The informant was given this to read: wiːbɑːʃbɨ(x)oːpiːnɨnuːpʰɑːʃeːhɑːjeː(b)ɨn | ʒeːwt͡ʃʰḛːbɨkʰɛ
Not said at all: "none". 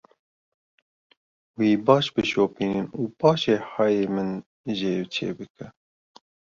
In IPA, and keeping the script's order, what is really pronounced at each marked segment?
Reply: ʃ, m

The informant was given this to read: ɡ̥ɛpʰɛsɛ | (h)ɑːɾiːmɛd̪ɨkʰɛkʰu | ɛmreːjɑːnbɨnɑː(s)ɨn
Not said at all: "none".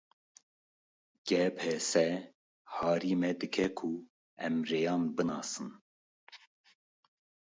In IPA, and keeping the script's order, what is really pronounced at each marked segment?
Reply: h, s

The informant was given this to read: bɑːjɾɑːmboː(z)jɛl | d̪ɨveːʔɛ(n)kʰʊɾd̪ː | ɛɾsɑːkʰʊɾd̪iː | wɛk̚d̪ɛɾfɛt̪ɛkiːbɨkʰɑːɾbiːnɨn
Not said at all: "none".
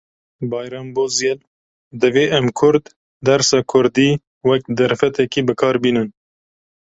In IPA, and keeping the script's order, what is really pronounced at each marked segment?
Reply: z, m

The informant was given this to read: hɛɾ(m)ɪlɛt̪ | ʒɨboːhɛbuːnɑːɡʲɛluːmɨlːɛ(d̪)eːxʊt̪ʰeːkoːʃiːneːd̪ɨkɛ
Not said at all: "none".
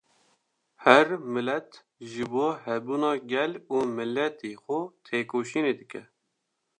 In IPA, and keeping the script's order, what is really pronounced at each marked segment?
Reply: m, t̪

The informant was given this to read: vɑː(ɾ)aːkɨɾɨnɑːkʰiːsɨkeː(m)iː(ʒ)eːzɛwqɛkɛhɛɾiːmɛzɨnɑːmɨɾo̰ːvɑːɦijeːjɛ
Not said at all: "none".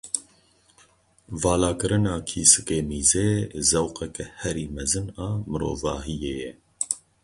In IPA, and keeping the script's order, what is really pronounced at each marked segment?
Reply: l, m, z

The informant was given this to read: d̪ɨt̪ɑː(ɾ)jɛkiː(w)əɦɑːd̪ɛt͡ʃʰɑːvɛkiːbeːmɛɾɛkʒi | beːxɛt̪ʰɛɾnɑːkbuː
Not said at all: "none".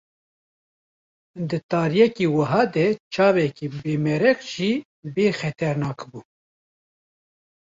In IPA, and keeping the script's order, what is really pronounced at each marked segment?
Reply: ɾ, w

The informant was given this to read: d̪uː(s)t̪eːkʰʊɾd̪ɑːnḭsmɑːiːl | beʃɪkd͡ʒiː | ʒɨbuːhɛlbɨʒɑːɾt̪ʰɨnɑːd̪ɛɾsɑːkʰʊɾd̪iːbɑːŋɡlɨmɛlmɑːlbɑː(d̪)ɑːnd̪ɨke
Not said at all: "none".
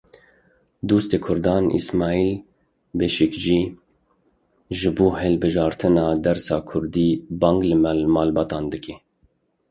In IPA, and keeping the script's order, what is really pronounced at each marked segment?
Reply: s, t̪

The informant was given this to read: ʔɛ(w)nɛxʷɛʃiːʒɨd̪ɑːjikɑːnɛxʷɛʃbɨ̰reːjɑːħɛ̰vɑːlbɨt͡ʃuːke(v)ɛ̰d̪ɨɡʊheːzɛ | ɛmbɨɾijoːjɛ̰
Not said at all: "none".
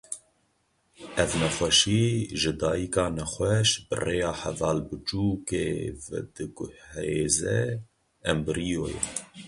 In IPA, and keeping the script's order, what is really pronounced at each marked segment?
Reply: v, v

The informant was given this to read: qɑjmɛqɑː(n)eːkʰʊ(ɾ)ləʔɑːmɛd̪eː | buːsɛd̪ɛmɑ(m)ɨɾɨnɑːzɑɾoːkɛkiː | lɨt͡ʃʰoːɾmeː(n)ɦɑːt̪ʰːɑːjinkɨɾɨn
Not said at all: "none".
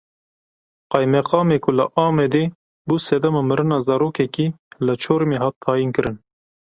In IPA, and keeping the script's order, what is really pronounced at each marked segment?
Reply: m, none, m, none

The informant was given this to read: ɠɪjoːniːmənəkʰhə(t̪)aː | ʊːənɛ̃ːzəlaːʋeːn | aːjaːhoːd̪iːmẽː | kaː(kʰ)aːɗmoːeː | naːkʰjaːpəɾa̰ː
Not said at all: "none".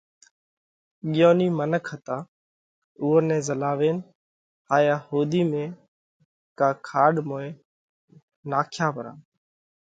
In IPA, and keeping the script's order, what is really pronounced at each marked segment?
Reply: t̪, kʰ

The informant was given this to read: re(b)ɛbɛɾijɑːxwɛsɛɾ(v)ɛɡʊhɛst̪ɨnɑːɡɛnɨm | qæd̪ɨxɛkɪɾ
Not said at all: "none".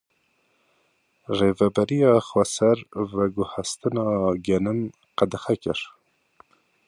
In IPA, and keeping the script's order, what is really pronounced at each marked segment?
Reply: v, v

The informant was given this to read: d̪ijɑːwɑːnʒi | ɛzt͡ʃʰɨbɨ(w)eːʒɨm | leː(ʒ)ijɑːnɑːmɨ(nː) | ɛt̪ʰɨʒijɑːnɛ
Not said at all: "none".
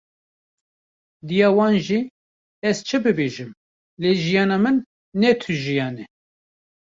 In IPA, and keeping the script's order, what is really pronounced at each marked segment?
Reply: b, ʒ, nː

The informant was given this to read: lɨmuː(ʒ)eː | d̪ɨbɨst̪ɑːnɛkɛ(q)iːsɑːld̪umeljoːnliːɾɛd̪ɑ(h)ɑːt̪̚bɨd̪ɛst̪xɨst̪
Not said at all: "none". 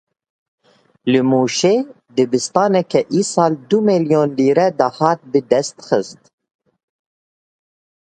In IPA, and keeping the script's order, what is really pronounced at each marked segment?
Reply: ʃ, ʔ, h

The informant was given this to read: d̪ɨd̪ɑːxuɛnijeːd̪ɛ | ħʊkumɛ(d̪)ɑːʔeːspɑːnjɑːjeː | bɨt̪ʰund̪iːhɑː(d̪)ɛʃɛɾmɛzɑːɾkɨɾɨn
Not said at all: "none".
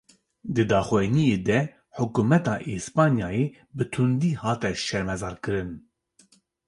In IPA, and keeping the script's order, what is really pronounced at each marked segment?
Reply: t̪, t̪

